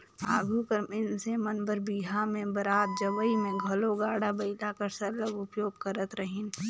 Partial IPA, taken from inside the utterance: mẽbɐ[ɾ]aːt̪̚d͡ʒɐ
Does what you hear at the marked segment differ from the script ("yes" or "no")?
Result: no